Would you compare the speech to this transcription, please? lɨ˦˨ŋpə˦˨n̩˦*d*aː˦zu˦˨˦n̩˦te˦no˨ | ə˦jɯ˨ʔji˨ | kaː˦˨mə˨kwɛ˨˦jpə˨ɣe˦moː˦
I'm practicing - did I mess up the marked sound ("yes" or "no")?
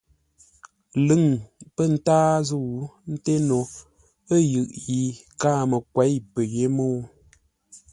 yes